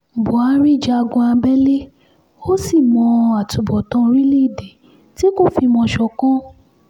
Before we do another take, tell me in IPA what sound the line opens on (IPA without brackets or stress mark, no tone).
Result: b